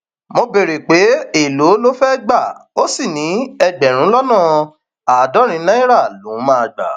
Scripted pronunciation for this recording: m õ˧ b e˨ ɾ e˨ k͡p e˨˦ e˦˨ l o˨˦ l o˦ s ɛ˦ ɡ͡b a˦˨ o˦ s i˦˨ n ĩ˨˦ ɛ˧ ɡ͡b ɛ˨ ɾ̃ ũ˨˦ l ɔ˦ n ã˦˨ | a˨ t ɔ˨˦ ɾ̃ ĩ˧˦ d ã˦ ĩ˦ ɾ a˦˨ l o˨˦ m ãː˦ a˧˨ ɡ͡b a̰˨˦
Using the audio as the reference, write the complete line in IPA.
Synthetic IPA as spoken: m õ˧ b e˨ ɾ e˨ k͡p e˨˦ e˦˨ l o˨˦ l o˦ f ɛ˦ ɡ͡b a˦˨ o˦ s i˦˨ n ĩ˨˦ ɛ˧ ɡ͡b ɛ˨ ɾ̃ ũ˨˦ l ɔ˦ n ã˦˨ | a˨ d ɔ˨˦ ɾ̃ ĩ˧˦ n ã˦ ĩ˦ ɾ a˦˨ l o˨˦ m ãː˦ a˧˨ ɡ͡b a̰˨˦